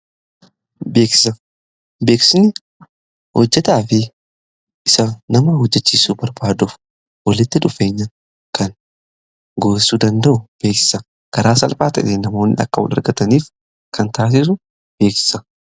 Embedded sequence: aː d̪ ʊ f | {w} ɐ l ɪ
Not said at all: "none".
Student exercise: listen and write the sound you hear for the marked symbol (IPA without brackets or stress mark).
w